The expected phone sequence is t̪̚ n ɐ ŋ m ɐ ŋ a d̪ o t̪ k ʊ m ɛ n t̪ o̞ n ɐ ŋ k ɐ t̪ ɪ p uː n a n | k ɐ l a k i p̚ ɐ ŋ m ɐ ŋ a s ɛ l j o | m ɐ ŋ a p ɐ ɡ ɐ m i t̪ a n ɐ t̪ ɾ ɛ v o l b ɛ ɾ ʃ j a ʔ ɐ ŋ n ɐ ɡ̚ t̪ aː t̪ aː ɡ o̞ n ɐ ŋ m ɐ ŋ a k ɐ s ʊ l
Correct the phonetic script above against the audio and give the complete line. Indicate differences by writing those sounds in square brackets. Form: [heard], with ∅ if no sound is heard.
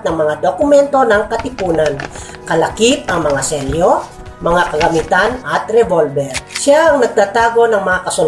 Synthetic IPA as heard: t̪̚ n ɐ ŋ m ɐ ŋ a d̪ o [∅] k ʊ m ɛ n t̪ o̞ n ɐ ŋ k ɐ t̪ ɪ p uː n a n | k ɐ l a k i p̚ ɐ ŋ m ɐ ŋ a s ɛ l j o | m ɐ ŋ a [k] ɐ ɡ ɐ m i t̪ a n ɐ t̪ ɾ ɛ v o l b ɛ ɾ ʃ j a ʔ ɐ ŋ n ɐ ɡ̚ t̪ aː t̪ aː ɡ o̞ n ɐ ŋ m ɐ ŋ a k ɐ s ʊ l